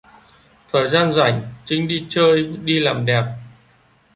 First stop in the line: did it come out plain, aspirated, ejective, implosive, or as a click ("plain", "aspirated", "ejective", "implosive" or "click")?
aspirated